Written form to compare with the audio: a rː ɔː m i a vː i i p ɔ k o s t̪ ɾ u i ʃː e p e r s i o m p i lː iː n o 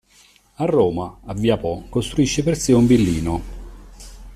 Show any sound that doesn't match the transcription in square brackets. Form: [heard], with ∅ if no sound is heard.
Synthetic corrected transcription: a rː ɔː m [a] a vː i [a] p ɔ k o s t̪ ɾ u i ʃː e p e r s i [u] m [b] i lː iː n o

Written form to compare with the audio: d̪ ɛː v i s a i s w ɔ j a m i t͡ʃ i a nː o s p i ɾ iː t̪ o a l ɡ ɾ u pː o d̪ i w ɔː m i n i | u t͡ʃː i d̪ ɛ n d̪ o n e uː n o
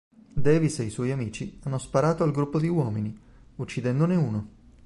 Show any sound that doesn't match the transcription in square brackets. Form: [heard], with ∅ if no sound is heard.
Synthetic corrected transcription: d̪ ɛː v i s [e] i s w ɔ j a m [iː] t͡ʃ i a nː o s p [a] ɾ [aː] t̪ o a l ɡ ɾ u pː o d̪ i w ɔː m i n i | u t͡ʃː i d̪ ɛ n d̪ o n e uː n o

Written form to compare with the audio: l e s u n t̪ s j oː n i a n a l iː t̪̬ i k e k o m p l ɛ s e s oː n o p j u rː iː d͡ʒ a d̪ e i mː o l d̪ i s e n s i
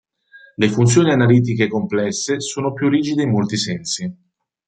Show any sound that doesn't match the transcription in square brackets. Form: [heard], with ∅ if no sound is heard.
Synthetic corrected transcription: l e [f] u n t̪ s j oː n i a n a l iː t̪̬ i k e k o m p l ɛ [sː] e s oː n o p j u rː iː d͡ʒ [i] d̪ e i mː o l [t̪] i s [ɛ] n s i

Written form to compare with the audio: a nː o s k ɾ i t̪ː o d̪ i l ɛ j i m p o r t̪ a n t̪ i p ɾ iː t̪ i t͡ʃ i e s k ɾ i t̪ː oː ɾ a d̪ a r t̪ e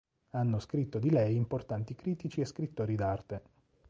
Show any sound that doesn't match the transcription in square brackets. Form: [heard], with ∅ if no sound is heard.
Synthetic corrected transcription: a nː o s k ɾ i t̪ː o d̪ i l ɛ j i m p o r t̪ a n t̪ i [k] ɾ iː t̪ i t͡ʃ i e s k ɾ i t̪ː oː ɾ [i] d̪ a r t̪ e

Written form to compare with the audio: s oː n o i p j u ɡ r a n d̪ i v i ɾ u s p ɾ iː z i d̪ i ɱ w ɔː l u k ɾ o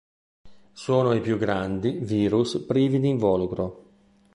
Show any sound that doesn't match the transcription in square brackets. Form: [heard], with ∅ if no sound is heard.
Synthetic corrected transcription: s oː n o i p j u ɡ [ɾ] a n d̪ i v [iː] ɾ u s p ɾ iː [v] i d̪ i ɱ [v] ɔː l u k ɾ o

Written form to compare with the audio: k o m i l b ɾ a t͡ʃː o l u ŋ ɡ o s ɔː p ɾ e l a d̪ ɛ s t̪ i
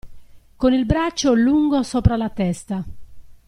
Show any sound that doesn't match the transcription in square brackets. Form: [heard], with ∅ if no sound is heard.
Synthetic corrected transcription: k o [n] i l b ɾ a t͡ʃː o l u ŋ ɡ o s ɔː p ɾ [a] l a [t̪] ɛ s t̪ [a]

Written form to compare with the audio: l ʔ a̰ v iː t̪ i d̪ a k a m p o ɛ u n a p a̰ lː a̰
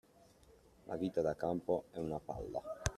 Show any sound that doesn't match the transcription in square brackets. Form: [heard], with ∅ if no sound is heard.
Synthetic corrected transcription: l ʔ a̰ v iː t̪ [a] d̪ a k a m p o ɛ u n a p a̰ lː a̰

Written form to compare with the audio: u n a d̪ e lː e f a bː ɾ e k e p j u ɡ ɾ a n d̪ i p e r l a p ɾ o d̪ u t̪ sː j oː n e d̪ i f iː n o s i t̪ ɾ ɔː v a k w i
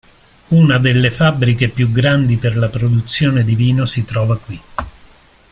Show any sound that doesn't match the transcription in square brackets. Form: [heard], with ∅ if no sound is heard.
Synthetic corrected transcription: u n a d̪ e lː e f a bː ɾ [i] k e p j u ɡ ɾ a n d̪ i p e r l a p ɾ o d̪ u t̪ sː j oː n e d̪ i [v] iː n o s i t̪ ɾ ɔː v a k w i

